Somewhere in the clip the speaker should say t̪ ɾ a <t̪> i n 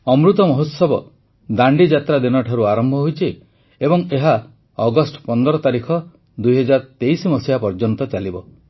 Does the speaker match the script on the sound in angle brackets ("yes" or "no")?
no